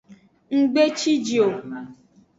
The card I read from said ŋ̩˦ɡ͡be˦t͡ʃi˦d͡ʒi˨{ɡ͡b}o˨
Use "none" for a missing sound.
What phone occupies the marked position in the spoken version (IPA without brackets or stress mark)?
none